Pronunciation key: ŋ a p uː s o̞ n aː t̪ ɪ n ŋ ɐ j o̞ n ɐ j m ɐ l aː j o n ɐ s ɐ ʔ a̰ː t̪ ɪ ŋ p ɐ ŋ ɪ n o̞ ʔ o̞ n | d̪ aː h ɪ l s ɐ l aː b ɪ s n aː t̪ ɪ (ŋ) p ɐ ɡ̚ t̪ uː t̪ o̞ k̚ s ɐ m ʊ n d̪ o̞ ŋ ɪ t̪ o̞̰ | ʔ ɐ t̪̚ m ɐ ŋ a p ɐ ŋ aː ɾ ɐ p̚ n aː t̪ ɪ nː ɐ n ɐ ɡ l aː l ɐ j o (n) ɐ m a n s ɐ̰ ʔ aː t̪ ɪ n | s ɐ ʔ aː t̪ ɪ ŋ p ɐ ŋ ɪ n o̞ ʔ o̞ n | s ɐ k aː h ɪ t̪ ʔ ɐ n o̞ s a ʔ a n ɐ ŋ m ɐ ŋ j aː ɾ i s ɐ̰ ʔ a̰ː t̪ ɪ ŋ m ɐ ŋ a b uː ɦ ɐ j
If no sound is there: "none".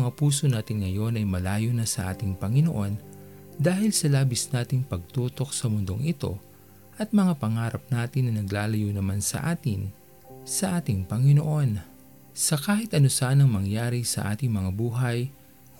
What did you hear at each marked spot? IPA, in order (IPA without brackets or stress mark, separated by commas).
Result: ŋ, n